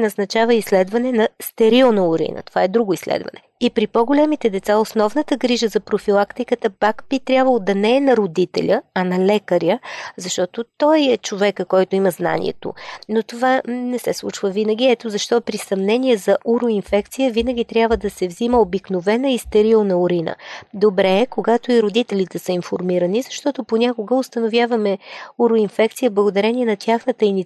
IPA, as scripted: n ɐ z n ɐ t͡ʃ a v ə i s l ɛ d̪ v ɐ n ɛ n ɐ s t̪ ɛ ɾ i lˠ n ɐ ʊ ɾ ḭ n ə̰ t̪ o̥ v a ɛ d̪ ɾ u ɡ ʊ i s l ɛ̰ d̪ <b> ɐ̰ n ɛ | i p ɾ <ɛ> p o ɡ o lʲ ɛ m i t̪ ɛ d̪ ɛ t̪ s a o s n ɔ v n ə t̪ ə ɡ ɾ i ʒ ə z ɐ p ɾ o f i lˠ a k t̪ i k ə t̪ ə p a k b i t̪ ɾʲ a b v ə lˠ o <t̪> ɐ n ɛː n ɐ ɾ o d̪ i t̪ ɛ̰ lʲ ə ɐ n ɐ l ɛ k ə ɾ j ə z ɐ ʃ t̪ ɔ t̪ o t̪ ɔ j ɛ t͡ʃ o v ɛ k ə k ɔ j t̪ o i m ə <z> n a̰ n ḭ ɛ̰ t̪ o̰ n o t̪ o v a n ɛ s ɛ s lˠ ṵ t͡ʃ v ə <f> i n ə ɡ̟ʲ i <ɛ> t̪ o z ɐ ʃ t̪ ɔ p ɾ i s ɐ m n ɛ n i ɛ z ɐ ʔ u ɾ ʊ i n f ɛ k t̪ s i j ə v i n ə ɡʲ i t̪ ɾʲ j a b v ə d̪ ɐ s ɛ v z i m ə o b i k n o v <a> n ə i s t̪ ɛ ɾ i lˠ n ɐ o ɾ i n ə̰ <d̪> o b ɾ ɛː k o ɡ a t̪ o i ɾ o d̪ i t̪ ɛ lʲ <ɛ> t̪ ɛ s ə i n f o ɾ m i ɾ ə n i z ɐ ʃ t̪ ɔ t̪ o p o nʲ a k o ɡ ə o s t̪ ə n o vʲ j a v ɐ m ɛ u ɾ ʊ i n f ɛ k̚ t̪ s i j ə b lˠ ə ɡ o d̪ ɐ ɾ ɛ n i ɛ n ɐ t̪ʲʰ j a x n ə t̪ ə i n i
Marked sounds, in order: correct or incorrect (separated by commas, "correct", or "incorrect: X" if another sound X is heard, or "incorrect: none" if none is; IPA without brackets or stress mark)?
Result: incorrect: v, incorrect: i, incorrect: d̪, correct, incorrect: v, correct, incorrect: ɛ, correct, incorrect: i